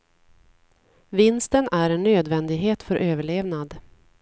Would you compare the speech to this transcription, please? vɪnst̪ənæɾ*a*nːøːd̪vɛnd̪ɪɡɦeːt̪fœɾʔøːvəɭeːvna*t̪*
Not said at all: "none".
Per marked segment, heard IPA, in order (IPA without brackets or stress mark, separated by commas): ɛ, d̪